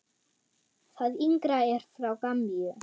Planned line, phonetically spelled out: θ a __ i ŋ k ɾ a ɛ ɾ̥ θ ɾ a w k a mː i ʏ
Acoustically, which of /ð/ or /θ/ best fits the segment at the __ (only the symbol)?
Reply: ð